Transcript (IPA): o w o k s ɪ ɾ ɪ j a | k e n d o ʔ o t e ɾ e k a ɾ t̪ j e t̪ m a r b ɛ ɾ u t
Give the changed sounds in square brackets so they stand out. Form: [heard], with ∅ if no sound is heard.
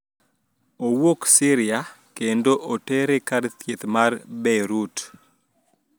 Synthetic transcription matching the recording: o w o k s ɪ ɾ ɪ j a | k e n d o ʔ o t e ɾ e k a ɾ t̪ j e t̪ m a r b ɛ ɾ u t